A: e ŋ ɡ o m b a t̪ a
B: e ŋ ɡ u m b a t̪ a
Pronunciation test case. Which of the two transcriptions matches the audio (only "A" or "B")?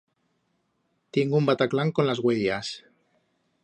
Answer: B